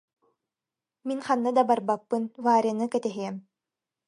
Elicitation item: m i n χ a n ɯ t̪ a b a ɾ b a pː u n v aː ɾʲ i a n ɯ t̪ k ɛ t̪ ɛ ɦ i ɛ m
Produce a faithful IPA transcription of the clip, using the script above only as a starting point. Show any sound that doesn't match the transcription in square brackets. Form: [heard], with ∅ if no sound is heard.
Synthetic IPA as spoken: m i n χ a [nː] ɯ [d̪] a b a ɾ b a pː [ɯ] n v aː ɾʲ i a n ɯ [∅] k ɛ t̪ ɛ ɦ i ɛ m